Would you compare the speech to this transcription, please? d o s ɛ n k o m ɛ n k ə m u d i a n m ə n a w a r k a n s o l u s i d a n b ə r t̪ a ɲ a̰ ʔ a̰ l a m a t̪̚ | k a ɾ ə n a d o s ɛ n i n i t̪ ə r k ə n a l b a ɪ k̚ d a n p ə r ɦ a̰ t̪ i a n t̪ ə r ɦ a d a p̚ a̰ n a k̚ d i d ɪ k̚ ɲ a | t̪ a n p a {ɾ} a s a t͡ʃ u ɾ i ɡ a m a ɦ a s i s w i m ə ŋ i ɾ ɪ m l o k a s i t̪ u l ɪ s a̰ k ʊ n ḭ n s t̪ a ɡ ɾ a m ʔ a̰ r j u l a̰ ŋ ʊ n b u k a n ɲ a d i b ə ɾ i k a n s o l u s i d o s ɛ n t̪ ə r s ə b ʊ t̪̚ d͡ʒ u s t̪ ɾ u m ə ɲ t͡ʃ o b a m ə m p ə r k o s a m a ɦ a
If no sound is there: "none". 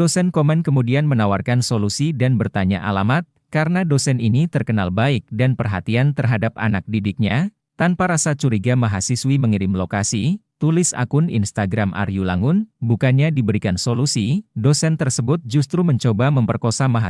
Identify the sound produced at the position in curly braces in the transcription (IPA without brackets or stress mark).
ɾ